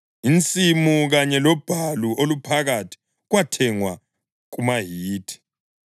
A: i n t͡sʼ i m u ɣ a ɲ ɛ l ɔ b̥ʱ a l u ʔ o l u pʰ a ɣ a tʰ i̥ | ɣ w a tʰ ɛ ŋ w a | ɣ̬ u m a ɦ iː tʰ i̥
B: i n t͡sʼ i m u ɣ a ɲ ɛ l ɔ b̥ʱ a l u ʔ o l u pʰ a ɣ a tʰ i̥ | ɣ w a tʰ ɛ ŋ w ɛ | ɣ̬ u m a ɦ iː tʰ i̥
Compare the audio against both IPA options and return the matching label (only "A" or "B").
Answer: A